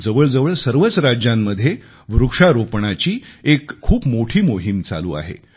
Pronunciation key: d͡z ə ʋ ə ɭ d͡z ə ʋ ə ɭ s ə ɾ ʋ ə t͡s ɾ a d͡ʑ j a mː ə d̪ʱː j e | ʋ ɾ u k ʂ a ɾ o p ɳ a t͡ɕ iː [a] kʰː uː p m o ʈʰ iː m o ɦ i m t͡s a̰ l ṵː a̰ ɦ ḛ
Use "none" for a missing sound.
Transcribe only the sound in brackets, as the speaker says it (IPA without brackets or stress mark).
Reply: e